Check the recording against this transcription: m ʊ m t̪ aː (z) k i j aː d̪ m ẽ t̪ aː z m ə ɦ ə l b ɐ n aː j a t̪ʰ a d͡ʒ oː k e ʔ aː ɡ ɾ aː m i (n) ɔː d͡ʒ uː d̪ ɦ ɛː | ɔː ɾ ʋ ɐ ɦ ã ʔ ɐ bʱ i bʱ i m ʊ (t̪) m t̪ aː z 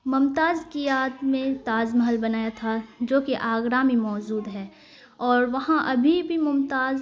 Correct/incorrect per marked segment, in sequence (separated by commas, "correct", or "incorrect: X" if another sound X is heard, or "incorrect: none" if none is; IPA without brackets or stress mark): correct, incorrect: m, incorrect: none